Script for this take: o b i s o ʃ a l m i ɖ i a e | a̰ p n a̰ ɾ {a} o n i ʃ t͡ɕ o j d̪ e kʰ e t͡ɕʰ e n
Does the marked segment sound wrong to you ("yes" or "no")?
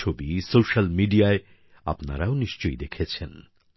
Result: no